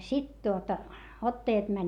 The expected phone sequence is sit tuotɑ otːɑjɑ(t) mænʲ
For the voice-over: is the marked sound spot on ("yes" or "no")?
yes